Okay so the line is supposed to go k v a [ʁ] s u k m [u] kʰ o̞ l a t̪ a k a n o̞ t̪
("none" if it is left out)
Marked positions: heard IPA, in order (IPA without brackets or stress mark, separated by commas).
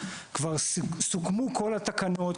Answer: ʁ, u